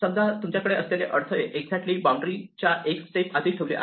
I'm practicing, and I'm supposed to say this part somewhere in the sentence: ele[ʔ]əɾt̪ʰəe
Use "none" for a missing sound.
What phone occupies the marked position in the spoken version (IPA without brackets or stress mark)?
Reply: ʔ